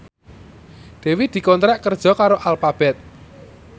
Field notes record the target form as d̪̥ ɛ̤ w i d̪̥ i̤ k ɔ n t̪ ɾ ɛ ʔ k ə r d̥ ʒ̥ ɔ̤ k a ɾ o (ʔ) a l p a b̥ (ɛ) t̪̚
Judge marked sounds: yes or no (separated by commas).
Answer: yes, yes